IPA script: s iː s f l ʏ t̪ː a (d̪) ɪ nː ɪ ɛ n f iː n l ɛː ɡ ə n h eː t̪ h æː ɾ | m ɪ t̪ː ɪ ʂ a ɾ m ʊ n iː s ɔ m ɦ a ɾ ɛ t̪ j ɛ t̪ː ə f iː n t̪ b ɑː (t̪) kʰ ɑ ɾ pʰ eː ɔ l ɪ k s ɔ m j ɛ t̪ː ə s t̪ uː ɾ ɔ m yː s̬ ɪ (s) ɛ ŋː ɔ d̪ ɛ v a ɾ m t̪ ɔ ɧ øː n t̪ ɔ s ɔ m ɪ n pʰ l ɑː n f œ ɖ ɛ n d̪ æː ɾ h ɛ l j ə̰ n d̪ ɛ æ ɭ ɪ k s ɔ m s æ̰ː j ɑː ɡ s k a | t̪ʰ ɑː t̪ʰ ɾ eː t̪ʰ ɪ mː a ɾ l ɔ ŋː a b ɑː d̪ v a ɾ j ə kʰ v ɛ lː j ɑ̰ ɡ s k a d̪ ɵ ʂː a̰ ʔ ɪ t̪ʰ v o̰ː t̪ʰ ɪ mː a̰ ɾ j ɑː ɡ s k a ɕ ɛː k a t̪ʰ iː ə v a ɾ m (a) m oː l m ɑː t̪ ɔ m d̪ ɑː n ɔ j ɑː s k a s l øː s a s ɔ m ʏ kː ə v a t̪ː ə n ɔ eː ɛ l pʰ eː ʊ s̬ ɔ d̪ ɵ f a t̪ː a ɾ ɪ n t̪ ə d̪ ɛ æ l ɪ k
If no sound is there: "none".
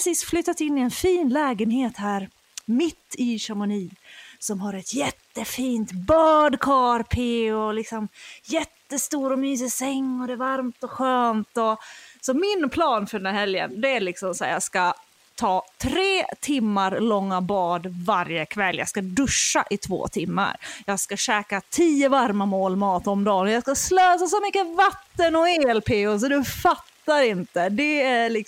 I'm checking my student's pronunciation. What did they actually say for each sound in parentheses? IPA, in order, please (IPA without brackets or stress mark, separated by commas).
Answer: t̪, d̪, s, a